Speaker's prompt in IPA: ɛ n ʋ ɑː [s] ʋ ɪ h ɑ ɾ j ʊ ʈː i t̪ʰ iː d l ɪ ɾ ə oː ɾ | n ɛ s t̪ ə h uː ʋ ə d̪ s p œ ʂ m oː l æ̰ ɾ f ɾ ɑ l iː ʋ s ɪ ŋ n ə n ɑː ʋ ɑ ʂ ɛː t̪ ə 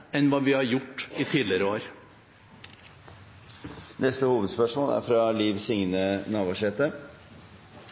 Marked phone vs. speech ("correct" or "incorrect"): incorrect